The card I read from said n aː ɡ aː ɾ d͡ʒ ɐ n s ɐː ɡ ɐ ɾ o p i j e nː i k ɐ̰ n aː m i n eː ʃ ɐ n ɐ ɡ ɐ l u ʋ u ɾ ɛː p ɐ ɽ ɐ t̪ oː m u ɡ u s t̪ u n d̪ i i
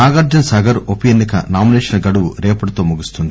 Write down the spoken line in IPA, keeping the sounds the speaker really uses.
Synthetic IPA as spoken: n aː ɡ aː ɾ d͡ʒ ɐ n s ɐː ɡ ɐ ɾ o p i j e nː i k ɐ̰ n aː m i n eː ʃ ɐ n ɐ ɡ ɐ ɽ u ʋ u ɾ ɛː p ɐ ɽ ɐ t̪ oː m u ɡ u s t̪ u n d̪ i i